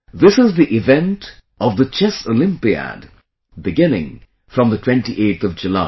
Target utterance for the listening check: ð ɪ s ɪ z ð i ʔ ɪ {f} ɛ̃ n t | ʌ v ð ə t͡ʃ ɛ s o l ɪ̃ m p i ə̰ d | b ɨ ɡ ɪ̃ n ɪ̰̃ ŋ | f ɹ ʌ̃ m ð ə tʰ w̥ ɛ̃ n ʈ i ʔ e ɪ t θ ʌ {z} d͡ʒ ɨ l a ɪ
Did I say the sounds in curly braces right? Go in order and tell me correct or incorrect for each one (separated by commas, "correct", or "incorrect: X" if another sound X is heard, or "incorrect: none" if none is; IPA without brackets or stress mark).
incorrect: v, incorrect: v